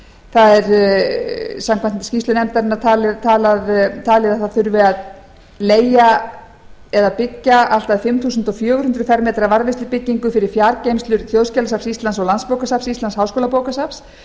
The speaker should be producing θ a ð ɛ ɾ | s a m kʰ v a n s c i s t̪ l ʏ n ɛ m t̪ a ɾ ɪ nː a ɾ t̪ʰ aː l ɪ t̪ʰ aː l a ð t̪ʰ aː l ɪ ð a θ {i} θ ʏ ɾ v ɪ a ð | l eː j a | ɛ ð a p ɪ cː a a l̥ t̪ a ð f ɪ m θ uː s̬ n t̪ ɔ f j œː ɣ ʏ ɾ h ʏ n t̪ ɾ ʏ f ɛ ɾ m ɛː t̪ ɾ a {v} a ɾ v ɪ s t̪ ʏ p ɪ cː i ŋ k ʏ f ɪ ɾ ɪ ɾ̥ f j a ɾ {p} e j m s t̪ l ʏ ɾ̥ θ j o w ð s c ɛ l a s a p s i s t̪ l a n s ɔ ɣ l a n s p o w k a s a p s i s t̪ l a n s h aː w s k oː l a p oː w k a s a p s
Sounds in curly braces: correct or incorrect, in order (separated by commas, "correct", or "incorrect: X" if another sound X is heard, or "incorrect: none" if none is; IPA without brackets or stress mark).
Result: incorrect: a, correct, incorrect: c